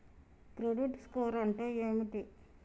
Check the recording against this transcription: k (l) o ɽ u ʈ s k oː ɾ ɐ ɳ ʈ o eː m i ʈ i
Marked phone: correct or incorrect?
incorrect